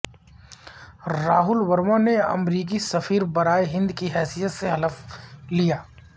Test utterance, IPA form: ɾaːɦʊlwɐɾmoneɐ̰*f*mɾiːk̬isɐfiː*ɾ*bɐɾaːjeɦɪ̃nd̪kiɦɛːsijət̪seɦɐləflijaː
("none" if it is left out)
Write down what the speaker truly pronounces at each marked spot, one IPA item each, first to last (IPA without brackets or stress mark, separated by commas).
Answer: none, ɾ